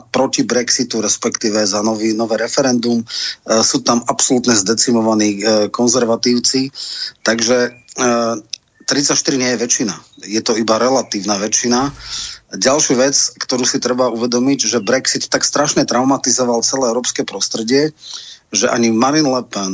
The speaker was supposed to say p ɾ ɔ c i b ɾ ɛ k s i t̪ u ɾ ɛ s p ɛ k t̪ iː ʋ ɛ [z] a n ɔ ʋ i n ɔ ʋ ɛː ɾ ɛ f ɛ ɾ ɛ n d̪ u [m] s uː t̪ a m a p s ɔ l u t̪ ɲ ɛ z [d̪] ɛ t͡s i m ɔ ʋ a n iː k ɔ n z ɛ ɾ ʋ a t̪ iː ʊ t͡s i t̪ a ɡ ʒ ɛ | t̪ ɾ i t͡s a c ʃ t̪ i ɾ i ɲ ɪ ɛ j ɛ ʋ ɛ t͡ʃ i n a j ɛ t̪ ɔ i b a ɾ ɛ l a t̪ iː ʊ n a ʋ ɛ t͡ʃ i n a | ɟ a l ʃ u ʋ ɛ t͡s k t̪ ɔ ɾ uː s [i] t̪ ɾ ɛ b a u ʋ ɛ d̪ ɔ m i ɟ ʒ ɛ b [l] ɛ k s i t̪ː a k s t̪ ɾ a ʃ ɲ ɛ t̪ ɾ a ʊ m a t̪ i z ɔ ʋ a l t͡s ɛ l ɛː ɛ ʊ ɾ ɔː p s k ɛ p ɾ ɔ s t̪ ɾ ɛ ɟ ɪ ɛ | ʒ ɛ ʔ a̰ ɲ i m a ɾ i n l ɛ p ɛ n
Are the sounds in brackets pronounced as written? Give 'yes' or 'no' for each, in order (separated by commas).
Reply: yes, yes, yes, yes, no